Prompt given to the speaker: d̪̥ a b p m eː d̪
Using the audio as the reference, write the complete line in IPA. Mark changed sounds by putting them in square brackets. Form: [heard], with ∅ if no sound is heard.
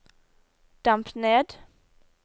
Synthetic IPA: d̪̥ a [m] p [n] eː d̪